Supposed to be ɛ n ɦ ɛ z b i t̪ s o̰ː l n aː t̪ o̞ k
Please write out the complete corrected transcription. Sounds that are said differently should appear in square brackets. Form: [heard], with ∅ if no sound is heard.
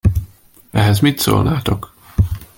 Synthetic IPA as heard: ɛ [∅] ɦ ɛ z [m] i t̪ s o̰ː l n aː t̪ o̞ k